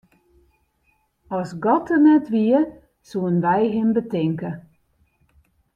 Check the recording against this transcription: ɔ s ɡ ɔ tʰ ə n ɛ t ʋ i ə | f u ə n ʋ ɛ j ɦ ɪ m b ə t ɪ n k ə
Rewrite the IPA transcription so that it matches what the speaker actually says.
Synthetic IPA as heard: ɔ s ɡ ɔ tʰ ə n ɛ t ʋ i ə | s u ə n ʋ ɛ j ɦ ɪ m b ə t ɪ ŋ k ə

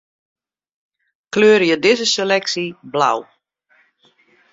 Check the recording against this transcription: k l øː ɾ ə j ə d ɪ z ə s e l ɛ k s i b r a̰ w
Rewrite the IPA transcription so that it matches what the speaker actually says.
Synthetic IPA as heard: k l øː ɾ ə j ə d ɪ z ə s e l ɛ k s i b l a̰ w

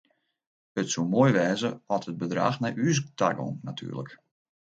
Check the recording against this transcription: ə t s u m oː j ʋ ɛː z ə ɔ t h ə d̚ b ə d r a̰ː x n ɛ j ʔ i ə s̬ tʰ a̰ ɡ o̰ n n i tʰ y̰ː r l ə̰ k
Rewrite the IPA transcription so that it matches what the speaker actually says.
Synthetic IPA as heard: ə t s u m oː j ʋ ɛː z ə ɔ t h ə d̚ b ə d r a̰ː x n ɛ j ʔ y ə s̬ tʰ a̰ ɡ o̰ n n a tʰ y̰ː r l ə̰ k

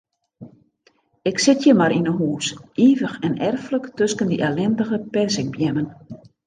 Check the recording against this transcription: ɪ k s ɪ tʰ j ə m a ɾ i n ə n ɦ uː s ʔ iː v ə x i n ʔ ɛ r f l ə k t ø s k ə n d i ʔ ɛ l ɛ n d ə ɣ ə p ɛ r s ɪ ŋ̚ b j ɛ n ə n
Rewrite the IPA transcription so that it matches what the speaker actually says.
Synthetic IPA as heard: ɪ k s ɪ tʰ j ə m a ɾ i n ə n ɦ uː s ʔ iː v ə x ɛ n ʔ ɛ r f l ə k t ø s k ə n d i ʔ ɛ l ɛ n d ə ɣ ə p ɛ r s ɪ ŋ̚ b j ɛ m ə n

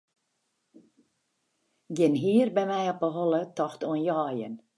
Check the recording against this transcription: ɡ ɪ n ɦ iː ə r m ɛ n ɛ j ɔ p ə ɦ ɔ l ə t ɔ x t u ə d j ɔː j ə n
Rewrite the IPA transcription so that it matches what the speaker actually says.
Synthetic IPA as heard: ɡ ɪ n ɦ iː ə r b ɛ m ɛ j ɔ p ə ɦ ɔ l ə t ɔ x t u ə n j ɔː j ə n

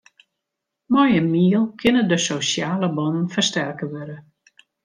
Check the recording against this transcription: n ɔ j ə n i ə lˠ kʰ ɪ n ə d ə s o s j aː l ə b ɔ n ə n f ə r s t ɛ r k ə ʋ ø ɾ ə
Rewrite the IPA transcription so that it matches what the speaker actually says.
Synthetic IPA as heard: m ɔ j ə m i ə lˠ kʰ ɪ n ə d ə s o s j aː l ə b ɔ n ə n f ə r s t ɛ r k ə ʋ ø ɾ ə

